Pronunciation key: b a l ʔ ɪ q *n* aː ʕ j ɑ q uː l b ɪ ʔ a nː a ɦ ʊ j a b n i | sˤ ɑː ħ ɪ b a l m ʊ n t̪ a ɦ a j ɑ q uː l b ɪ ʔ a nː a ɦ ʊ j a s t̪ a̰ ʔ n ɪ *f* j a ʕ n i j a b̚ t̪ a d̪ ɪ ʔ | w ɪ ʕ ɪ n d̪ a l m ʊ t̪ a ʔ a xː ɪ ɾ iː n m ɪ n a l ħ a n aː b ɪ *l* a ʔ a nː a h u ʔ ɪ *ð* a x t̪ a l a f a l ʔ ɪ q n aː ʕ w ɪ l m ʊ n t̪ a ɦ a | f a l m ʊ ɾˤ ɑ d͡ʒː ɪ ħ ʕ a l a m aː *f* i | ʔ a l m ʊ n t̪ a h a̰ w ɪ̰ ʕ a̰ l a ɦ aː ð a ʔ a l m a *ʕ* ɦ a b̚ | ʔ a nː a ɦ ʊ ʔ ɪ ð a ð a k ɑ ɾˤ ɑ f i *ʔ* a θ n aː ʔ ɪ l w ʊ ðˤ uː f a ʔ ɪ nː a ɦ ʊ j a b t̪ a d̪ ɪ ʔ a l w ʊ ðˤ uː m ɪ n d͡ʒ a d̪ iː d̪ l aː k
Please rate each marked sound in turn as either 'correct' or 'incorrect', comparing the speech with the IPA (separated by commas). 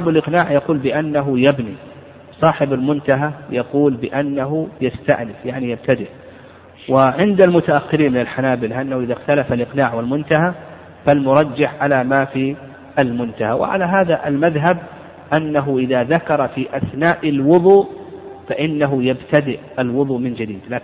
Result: correct, correct, correct, correct, correct, incorrect, correct